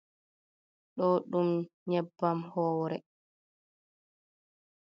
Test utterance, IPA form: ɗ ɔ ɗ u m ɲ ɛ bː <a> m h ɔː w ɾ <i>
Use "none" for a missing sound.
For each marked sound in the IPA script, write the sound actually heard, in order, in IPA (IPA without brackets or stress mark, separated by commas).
a, ɛ